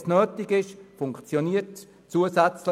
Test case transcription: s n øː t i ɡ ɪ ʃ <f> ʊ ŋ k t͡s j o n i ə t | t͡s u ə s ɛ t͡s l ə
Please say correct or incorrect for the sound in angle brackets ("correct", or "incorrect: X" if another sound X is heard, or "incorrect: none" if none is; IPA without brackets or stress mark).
correct